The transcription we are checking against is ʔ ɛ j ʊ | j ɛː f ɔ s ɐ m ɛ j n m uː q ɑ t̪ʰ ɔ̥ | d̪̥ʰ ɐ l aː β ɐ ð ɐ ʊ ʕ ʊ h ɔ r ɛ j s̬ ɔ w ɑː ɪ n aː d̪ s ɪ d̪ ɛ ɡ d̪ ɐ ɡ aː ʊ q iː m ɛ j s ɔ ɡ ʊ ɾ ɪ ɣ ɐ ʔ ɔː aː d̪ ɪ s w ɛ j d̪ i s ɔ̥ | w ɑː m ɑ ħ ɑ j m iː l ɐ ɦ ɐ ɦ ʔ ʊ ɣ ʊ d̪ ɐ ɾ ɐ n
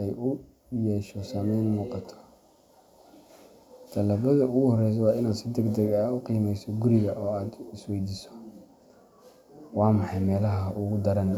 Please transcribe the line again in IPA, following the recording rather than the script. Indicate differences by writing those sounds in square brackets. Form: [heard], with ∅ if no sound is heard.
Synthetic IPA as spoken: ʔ ɛ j ʊ | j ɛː [ʃ] ɔ s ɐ m ɛ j n m uː q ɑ t̪ʰ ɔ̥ | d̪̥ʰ ɐ l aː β ɐ ð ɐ ʊ [ɣ] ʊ h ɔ r ɛ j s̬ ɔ w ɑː ɪ n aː d̪ s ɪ d̪ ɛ ɡ d̪ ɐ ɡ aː ʊ q iː m ɛ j s ɔ ɡ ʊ ɾ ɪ ɣ ɐ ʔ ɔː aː d̪ ɪ s w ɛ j d̪ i s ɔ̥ | w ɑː m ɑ ħ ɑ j m [ɛː] l ɐ ɦ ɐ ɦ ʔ ʊ ɣ ʊ d̪ ɐ ɾ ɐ n